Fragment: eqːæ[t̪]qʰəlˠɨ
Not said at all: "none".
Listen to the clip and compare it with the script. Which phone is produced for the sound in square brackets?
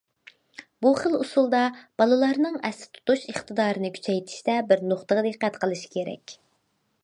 t̪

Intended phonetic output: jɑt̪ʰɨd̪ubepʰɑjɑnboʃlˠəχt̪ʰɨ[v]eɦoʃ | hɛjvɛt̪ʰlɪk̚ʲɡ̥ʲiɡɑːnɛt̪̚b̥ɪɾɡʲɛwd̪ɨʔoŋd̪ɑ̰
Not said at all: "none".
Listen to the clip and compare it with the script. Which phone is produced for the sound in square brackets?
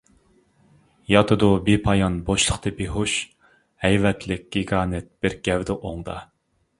b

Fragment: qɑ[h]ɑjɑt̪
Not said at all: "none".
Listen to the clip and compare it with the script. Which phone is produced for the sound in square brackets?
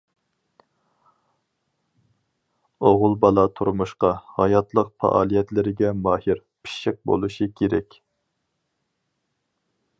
h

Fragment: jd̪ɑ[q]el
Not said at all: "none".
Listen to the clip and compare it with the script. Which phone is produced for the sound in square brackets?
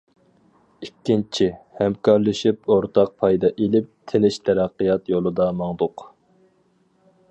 ʔ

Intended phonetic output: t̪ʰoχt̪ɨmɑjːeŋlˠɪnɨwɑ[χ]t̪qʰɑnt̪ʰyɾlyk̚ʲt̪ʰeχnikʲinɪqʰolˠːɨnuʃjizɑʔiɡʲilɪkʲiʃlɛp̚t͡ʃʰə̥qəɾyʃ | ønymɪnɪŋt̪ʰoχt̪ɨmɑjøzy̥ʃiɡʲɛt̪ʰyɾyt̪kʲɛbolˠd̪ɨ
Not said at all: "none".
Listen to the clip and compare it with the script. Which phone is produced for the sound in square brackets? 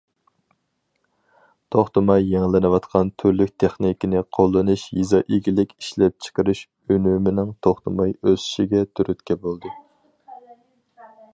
none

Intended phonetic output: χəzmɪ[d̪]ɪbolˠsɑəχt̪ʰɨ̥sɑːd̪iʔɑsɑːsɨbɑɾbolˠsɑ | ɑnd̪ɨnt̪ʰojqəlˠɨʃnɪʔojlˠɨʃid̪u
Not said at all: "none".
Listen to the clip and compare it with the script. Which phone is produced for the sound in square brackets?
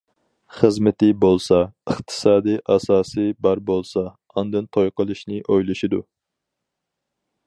t̪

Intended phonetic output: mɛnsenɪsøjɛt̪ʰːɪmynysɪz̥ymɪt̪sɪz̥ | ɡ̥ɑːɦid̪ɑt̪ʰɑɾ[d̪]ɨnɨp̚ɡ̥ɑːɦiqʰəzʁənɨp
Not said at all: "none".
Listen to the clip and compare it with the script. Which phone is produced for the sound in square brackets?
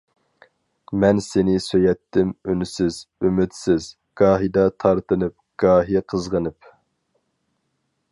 t̪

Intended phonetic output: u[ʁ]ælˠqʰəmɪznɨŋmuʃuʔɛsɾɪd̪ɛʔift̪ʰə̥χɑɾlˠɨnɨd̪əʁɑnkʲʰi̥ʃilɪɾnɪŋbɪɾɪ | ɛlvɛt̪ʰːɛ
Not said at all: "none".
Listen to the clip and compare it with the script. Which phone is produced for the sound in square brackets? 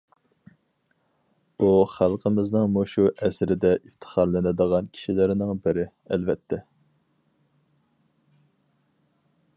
χ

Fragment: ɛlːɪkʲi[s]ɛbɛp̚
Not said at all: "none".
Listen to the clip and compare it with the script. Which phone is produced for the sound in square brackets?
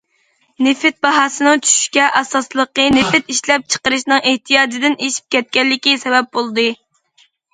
s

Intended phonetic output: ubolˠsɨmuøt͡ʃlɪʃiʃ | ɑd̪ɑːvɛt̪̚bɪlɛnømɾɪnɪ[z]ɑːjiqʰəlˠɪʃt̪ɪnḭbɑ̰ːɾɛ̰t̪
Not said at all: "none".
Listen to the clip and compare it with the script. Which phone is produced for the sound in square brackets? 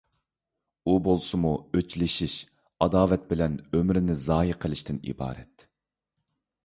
z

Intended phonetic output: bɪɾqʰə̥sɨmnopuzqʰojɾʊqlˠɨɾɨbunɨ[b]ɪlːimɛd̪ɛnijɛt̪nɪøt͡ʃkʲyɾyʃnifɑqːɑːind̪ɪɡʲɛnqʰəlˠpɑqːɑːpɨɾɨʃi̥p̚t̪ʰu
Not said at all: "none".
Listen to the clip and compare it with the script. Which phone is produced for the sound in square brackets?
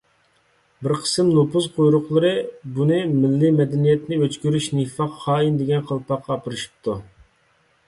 m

